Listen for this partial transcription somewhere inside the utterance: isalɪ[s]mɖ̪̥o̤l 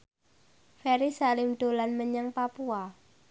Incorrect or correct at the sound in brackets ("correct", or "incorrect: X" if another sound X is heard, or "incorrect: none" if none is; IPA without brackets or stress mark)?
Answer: incorrect: none